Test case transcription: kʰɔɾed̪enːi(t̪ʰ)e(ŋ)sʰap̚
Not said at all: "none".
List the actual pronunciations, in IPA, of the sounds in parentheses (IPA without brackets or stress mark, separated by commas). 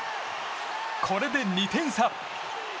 t̪ʰ, ŋ